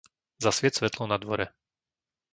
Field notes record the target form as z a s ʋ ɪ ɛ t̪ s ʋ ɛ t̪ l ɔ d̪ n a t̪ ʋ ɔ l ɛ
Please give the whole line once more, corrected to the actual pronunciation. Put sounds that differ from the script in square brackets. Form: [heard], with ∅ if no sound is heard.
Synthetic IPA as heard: z a s ʋ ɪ ɛ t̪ s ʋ ɛ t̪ l ɔ [∅] n a [d̪] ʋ ɔ [ɾ] ɛ